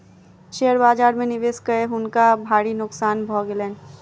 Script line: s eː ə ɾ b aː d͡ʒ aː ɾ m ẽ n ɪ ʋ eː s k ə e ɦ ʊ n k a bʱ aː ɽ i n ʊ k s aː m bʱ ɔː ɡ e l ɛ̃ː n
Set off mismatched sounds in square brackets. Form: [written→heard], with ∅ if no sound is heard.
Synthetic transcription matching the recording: [s→ʃ] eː ə ɾ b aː d͡ʒ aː ɾ m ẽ n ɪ ʋ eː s k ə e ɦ ʊ n k a bʱ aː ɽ i n ʊ k s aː [m→n] bʱ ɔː ɡ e l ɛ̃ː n